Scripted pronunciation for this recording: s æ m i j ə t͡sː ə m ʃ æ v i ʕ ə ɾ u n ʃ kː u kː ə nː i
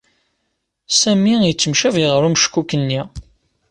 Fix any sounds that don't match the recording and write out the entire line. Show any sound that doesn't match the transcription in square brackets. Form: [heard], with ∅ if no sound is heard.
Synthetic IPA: s æ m i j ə t͡sː ə m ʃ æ v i [ʁ] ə ɾ u [m] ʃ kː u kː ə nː i